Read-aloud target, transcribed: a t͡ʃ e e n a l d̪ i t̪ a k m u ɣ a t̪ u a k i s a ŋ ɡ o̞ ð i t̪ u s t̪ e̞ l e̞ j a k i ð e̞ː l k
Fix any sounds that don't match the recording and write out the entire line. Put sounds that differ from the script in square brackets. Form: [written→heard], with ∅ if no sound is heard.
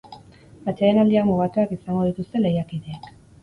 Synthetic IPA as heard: a t͡ʃ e e n a l d̪ i [t̪→∅] a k m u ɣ a t̪ u a k i s a ŋ ɡ o̞ ð i t̪ u s t̪ e̞ l e̞ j a k i ð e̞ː [l→∅] k